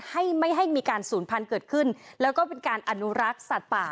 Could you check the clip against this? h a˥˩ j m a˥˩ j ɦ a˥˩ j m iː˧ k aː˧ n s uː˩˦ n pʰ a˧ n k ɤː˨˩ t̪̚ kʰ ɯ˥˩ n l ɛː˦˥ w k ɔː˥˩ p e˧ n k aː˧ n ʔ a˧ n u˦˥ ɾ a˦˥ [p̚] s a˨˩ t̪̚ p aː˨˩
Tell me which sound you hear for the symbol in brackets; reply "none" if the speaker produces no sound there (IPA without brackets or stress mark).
k̚